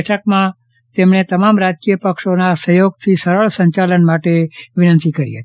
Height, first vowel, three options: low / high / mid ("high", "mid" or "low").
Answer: mid